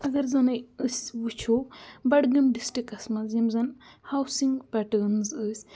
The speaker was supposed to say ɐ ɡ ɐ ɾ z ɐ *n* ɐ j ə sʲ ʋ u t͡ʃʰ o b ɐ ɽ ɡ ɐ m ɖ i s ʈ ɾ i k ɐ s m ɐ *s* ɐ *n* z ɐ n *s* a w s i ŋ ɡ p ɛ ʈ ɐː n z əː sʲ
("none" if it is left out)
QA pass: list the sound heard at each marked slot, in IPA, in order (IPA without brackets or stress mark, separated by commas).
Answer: n, z, m, h